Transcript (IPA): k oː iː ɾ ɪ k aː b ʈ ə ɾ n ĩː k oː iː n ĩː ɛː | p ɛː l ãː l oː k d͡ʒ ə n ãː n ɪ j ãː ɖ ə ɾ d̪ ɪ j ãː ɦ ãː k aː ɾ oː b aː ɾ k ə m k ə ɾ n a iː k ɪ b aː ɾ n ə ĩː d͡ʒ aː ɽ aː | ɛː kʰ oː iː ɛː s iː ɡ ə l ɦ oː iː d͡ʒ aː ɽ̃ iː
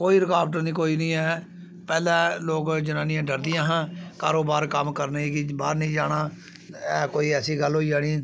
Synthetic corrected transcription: k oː iː ɾ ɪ k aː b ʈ ə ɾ n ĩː k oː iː n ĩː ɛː | p ɛː l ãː l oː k d͡ʒ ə n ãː n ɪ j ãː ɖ ə ɾ d̪ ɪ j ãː ɦ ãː k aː ɾ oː b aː ɾ k ə m k ə ɾ n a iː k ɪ b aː ɾ n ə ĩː d͡ʒ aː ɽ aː | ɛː k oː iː ɛː s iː ɡ ə l ɦ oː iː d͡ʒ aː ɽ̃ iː